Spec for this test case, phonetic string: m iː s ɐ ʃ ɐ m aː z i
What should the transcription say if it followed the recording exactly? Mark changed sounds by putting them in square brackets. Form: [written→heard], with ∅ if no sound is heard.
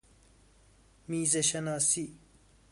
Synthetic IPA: m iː [s→z] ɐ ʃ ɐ [m→n] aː [z→s] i